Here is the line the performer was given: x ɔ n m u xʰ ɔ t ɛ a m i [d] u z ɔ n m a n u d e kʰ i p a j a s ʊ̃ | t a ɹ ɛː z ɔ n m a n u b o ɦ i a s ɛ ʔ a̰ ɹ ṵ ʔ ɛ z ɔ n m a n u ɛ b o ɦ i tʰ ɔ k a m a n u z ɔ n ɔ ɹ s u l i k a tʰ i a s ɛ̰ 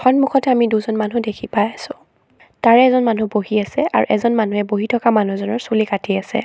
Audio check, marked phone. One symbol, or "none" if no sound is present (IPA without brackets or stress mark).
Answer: d